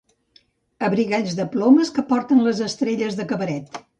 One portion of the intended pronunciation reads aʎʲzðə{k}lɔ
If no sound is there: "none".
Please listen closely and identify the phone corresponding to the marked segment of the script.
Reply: p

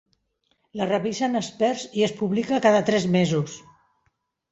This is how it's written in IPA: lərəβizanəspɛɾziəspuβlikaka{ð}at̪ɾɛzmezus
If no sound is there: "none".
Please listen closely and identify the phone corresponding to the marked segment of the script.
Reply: ð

